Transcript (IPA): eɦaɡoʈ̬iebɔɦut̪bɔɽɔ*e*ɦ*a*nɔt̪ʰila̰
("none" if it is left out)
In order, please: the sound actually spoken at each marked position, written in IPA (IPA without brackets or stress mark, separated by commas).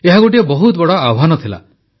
a, a